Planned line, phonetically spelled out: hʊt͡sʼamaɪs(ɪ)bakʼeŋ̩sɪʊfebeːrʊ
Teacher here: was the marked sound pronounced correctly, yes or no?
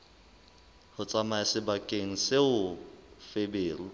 yes